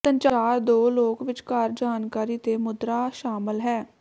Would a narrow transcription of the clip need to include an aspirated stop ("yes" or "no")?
no